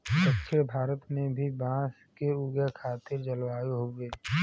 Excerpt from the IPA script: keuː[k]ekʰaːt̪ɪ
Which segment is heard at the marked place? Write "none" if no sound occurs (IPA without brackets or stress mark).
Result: ɡ